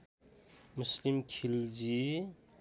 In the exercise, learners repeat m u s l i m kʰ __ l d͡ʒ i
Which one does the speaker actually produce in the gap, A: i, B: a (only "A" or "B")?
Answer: A